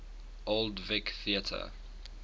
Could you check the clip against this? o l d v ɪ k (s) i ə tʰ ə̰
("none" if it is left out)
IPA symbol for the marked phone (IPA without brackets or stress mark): θ